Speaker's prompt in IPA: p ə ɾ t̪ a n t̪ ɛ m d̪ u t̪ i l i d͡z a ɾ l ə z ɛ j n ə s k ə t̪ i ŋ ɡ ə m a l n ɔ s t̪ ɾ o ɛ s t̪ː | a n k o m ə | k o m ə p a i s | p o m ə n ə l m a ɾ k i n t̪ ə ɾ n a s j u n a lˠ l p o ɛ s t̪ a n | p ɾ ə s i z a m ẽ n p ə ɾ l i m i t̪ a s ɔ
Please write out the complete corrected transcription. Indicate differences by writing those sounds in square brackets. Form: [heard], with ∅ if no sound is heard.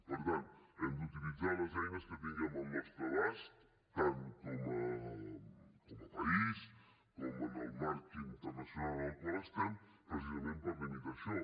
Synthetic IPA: p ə ɾ t̪ a n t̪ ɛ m d̪ u t̪ i l i d͡z a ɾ l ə z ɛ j n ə s k ə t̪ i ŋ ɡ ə m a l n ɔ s t̪ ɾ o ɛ s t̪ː | a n k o m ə | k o m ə p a i s | [k] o m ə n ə l m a ɾ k i n t̪ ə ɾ n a s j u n a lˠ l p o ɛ s t̪ a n | p ɾ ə s i z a m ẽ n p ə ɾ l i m i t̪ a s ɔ